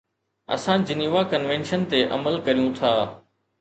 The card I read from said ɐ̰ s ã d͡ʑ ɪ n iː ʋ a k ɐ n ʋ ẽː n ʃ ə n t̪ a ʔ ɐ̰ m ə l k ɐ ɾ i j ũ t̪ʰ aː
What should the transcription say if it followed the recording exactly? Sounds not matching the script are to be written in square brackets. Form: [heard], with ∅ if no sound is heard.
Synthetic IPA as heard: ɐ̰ s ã d͡ʑ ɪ n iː ʋ a k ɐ n ʋ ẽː n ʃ ə n t̪ [e] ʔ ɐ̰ m ə l k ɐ ɾ i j ũ t̪ʰ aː